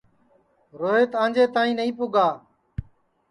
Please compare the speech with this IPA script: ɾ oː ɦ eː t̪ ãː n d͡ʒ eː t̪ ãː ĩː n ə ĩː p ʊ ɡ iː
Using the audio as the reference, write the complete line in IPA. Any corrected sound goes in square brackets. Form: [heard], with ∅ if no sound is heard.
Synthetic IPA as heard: ɾ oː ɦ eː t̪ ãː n d͡ʒ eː t̪ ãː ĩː n ə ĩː p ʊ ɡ [aː]